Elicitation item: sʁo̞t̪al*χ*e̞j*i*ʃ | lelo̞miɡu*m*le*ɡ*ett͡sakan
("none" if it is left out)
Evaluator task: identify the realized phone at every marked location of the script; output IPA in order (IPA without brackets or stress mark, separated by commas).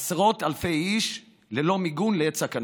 f, i, n, none